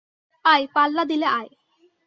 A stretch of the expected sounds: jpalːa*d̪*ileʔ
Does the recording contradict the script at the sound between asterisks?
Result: no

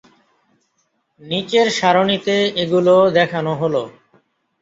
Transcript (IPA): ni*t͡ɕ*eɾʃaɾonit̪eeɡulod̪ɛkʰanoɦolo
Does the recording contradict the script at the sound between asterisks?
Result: no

